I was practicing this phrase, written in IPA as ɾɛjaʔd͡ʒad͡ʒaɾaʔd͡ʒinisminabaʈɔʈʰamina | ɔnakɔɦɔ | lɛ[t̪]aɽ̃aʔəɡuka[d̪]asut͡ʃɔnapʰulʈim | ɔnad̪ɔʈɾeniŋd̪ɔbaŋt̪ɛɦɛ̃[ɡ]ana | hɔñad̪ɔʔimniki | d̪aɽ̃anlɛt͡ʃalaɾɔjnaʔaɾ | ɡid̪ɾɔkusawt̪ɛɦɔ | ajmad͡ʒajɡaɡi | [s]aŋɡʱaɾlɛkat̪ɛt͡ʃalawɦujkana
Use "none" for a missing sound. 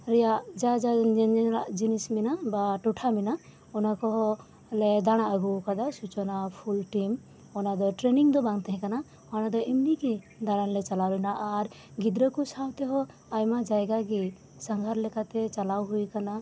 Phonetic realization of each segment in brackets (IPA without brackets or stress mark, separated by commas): d̪, d̪, k, s